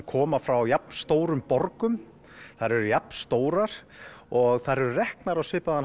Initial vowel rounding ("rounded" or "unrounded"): rounded